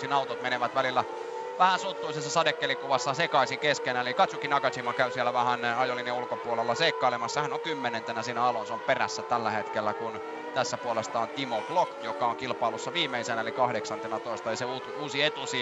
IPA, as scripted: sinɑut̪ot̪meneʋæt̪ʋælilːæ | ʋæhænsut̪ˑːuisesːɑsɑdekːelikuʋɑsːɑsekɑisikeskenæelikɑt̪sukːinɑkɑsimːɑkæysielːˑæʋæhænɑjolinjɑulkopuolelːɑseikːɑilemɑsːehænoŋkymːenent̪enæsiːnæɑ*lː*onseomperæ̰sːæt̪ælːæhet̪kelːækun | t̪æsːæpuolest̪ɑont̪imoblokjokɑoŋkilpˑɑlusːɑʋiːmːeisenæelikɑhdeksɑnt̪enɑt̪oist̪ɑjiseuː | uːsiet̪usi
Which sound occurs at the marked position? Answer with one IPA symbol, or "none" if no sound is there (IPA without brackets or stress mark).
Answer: l